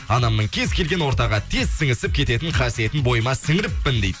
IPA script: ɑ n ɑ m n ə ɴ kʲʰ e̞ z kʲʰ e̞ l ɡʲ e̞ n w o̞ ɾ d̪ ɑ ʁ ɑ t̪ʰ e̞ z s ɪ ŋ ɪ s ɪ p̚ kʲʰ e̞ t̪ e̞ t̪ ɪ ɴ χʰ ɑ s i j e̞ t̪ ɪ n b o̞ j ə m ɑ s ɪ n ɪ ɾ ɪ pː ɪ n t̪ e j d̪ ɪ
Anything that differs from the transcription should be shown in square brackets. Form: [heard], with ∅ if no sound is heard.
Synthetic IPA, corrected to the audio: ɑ n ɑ m n ə ɴ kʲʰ e̞ z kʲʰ e̞ l ɡʲ e̞ n w o̞ ɾ [t̪] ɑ ʁ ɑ t̪ʰ e̞ z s ɪ ŋ ɪ s ɪ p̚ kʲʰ e̞ t̪ e̞ t̪ ɪ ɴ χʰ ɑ s i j e̞ t̪ ɪ n b o̞ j ə m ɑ s ɪ [ŋ] ɪ ɾ ɪ pː ɪ n [d̪] e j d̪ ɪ